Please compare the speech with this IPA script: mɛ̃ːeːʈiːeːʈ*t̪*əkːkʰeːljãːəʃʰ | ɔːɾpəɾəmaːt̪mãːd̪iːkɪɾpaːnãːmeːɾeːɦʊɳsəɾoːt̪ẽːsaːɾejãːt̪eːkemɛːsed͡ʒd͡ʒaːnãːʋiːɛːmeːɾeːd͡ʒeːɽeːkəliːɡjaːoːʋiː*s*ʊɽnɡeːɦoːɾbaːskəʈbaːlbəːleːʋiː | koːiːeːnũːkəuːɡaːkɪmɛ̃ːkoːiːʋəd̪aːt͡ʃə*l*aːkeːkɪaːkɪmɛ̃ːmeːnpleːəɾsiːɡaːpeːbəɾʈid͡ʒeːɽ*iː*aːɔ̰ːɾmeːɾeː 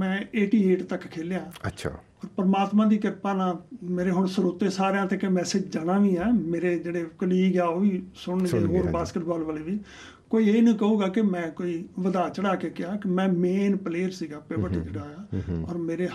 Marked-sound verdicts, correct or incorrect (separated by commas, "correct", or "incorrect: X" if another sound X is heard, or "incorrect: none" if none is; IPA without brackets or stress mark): correct, correct, incorrect: ɽ, incorrect: aː